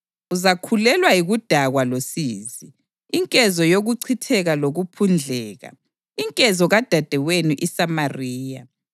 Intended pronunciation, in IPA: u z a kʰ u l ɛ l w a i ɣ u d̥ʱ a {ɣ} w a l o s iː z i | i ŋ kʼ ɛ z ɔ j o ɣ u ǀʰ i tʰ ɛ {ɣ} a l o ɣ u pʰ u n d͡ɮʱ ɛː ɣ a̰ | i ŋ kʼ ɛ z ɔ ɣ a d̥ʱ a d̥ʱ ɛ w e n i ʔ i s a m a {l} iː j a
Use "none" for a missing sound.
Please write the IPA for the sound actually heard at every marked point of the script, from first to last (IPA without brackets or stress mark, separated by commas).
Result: ɣ, ɣ, r